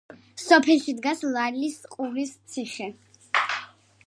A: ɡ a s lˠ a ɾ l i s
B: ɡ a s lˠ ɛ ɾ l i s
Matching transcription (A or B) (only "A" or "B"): A